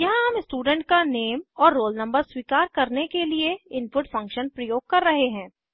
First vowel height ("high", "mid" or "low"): low